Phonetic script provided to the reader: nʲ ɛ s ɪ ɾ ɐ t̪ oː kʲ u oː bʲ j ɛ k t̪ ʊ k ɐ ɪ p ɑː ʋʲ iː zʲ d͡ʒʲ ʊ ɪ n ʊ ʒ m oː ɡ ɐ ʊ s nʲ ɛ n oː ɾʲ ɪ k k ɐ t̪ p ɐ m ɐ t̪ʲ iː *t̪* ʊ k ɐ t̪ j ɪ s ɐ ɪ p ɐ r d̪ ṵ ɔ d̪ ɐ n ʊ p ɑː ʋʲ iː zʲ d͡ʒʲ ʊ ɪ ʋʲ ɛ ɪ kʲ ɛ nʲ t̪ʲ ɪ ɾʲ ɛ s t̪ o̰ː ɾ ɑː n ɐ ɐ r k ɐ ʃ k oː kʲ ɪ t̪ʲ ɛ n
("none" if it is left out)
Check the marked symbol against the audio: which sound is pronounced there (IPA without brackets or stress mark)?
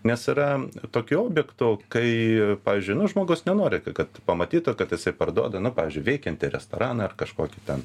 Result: t̪